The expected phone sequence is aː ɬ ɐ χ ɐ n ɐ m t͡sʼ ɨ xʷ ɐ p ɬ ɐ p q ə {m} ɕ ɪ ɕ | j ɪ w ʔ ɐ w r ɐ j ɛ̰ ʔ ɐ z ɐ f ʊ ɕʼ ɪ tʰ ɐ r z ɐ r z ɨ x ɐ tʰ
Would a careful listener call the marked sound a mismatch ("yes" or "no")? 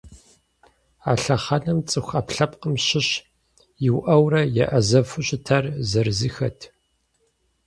no